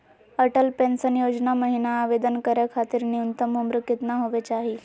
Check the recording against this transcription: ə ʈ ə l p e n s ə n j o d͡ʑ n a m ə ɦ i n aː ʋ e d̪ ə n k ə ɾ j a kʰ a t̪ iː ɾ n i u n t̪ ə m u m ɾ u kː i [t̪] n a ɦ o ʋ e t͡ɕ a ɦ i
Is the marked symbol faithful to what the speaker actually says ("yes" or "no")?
yes